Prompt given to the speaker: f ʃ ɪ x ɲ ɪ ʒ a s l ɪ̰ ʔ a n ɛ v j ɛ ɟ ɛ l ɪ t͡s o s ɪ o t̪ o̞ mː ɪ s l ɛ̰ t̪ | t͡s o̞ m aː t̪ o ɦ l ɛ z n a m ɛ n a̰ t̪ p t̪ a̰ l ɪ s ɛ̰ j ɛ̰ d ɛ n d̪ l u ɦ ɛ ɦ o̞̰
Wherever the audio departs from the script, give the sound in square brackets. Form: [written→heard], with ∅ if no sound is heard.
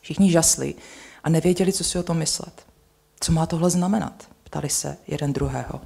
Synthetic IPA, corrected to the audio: f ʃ ɪ x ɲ ɪ ʒ a s l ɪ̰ ʔ a n ɛ v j ɛ ɟ ɛ l ɪ t͡s o s ɪ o t̪ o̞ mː ɪ s l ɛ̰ t̪ | t͡s o̞ m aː t̪ o ɦ l ɛ z n a m ɛ n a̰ t̪ p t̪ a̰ l ɪ s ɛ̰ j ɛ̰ d ɛ n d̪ [l→ɾ] u ɦ [ɛ→ɛː] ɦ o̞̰